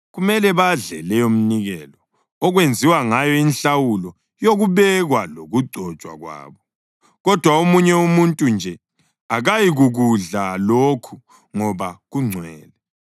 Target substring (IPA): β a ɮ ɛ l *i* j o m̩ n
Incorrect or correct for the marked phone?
incorrect: ɛ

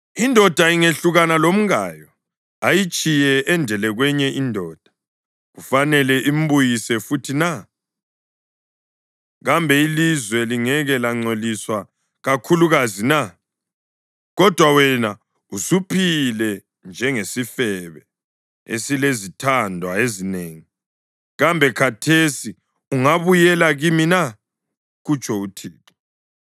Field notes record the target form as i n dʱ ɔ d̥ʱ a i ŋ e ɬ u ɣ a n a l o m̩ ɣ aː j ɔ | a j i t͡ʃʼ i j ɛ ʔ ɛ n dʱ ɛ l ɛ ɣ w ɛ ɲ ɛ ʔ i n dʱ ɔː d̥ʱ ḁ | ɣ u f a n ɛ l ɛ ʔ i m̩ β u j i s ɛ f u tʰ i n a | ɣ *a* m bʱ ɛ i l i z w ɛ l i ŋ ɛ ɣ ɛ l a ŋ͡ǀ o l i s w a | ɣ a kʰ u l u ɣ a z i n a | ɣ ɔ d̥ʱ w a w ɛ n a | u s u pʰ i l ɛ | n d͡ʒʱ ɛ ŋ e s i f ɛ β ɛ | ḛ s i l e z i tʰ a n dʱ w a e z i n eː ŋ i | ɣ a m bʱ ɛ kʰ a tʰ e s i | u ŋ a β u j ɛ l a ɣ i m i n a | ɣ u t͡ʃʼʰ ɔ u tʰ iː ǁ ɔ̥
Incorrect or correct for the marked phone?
correct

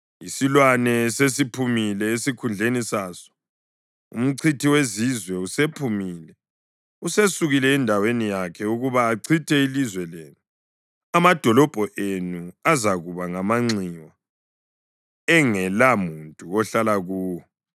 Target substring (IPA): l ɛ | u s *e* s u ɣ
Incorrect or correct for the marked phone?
correct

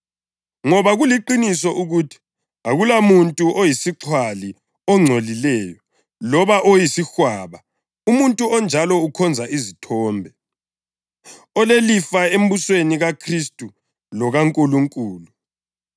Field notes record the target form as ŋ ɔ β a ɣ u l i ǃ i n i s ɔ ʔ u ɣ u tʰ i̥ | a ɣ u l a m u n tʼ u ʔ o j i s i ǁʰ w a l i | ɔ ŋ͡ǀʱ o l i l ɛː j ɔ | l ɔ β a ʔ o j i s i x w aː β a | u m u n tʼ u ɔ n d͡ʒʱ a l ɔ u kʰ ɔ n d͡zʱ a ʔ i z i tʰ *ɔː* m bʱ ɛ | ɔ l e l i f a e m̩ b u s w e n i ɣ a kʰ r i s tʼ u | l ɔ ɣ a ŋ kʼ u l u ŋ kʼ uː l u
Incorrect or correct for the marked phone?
correct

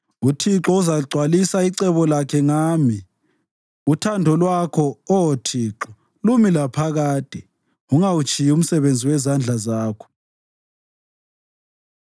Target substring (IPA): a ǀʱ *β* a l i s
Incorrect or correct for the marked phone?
incorrect: w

